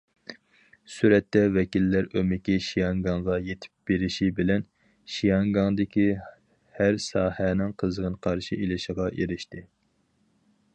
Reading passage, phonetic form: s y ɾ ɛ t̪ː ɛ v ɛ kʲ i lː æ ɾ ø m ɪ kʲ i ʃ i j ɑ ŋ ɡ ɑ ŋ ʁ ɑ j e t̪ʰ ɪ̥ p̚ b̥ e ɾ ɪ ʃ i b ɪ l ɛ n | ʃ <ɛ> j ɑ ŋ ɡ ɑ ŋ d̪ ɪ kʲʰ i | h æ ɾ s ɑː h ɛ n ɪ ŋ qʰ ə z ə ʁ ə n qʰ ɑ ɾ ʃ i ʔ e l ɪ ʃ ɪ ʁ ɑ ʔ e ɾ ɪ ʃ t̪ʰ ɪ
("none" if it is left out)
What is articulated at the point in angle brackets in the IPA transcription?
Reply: i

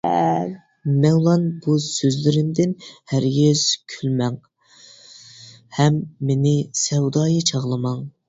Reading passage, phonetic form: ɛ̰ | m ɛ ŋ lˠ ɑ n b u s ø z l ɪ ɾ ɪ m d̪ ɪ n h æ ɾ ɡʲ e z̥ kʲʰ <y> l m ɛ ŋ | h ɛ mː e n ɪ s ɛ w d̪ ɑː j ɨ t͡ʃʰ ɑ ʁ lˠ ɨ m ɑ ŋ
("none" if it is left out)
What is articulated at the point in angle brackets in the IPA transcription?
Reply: y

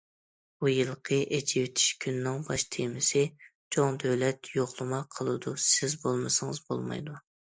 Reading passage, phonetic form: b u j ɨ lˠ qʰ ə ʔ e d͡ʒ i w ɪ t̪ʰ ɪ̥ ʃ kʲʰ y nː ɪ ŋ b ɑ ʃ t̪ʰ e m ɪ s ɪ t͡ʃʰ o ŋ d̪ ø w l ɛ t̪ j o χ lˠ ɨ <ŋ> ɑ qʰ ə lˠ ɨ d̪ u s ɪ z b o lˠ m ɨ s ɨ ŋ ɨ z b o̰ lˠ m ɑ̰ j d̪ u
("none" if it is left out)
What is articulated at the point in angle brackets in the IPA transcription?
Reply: m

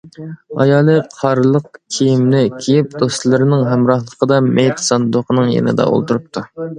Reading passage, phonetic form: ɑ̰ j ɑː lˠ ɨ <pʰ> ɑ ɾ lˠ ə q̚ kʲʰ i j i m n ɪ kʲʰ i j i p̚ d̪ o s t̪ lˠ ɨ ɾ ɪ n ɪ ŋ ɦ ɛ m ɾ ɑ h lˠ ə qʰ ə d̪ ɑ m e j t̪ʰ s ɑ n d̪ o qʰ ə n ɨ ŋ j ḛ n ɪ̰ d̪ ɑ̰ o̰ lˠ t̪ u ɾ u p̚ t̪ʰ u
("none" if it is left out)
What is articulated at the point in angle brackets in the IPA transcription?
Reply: qʰ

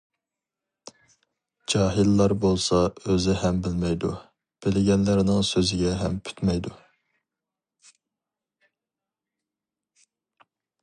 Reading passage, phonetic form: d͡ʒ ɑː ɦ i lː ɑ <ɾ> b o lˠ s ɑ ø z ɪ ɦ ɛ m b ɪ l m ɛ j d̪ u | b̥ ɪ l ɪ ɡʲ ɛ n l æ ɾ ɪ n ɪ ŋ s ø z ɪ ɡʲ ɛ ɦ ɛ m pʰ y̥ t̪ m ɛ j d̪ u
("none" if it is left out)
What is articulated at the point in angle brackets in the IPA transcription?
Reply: ɾ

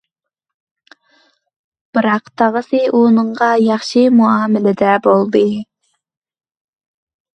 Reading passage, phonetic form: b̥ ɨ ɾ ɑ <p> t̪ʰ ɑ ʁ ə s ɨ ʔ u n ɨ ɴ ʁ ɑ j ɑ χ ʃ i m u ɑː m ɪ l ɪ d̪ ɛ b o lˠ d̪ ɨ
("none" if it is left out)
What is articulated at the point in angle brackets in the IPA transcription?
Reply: q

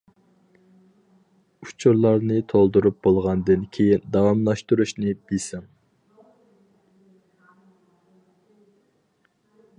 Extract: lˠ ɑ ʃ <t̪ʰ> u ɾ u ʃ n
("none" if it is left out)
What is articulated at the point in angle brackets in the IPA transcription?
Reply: t̪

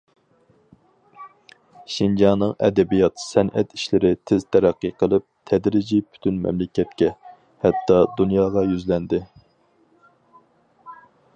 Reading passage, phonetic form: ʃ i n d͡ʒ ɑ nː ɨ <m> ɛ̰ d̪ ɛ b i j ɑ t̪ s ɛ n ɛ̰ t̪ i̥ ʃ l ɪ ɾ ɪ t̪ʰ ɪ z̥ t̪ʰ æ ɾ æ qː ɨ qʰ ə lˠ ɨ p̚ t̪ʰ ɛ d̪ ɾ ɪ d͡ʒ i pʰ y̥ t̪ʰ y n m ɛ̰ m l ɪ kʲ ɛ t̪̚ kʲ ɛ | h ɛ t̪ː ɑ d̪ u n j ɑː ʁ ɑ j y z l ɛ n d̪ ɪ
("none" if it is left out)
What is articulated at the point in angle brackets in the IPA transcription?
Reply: ŋ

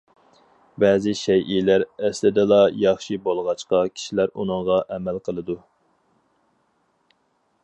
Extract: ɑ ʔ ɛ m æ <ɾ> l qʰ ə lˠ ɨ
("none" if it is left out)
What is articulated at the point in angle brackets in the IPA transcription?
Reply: none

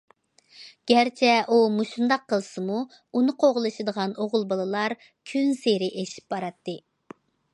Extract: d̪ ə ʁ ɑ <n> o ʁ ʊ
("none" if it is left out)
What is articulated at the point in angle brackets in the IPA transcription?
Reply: n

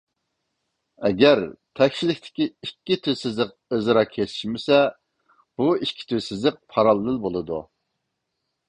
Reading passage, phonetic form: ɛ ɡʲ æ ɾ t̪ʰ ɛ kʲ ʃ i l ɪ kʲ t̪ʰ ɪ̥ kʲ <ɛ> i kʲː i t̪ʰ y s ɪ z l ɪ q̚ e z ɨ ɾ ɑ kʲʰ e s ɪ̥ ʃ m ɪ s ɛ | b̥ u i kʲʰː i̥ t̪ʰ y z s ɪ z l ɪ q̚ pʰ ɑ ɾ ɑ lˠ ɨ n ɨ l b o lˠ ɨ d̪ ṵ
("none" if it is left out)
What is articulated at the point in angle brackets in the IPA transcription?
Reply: i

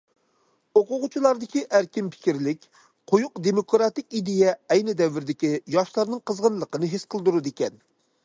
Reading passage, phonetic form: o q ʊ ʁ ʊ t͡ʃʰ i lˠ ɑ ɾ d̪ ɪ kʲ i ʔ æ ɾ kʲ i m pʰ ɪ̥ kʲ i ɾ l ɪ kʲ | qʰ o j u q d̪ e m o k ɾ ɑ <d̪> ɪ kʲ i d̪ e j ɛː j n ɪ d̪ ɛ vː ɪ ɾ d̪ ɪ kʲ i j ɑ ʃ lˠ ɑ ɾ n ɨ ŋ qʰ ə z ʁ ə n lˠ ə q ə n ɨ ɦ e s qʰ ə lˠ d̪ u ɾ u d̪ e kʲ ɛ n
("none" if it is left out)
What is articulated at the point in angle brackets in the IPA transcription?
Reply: t̪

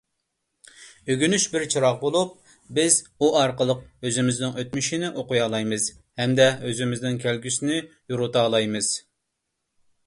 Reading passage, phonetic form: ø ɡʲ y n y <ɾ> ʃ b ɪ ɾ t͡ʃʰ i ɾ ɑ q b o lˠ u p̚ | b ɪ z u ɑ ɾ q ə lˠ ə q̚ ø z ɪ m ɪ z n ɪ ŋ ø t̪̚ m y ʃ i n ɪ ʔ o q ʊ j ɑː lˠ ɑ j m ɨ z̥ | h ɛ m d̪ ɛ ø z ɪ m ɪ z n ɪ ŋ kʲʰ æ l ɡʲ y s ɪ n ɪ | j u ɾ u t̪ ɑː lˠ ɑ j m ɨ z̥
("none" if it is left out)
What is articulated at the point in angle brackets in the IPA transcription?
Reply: none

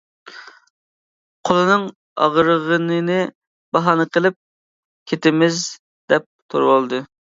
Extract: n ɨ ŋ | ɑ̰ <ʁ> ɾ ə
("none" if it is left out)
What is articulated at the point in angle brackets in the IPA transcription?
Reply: ʁ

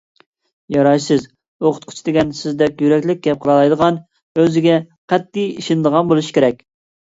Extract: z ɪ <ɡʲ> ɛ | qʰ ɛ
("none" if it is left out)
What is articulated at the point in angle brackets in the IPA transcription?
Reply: ɡʲ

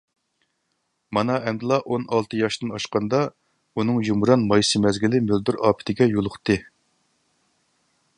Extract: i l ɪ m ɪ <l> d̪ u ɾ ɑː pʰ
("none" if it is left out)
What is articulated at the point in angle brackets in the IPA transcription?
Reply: l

